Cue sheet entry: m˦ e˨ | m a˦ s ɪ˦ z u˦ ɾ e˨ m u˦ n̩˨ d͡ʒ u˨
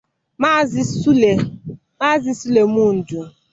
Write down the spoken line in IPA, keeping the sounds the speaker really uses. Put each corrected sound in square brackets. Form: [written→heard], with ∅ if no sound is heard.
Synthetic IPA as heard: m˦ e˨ | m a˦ [s→z] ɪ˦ [z→s] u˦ [ɾ→l] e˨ m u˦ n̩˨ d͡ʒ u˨